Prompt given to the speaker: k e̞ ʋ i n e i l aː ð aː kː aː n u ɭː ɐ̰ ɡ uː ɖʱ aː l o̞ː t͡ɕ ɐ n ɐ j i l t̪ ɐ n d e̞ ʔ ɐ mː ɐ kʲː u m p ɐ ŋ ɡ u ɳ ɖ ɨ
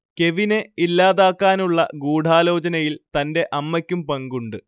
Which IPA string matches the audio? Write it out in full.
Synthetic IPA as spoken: k e̞ ʋ i n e i lː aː ð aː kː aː n u ɭː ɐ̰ ɡ uː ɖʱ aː l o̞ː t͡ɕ ɐ n ɐ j i l t̪ ɐ n d e̞ ʔ ɐ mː ɐ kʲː u m p ɐ ŋ ɡ u ɳ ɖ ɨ